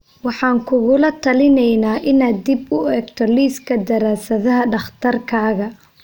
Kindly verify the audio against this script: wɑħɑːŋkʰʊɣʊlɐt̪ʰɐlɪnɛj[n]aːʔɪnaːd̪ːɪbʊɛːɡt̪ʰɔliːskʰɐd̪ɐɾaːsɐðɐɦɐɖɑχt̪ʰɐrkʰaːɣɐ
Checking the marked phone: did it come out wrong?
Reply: no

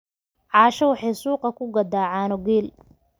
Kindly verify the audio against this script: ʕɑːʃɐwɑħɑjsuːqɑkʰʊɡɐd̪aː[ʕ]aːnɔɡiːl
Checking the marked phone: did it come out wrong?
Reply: no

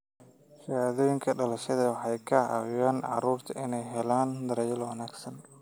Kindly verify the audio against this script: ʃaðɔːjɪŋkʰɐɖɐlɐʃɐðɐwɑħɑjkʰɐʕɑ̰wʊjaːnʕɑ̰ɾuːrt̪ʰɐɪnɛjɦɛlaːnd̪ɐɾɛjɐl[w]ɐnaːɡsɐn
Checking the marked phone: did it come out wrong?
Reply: no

